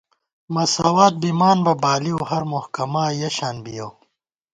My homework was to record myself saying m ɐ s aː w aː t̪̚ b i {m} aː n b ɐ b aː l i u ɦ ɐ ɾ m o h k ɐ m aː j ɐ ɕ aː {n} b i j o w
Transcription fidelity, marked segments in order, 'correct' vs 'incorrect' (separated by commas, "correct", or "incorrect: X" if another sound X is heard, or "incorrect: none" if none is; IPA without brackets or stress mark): correct, correct